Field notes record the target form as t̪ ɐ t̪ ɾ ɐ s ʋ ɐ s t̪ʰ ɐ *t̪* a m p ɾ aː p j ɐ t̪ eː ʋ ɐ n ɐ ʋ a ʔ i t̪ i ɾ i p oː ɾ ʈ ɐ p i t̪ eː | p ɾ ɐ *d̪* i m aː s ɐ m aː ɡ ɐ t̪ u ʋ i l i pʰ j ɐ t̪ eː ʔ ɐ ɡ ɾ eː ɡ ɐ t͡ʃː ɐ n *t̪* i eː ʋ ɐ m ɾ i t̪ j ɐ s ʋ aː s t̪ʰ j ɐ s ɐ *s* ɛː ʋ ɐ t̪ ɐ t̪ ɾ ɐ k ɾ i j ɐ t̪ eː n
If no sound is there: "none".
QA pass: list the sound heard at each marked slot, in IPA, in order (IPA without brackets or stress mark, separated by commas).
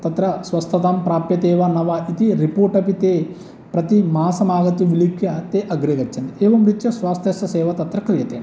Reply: t̪, t̪, d̪, s